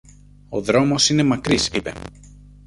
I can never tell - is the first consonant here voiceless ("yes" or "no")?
no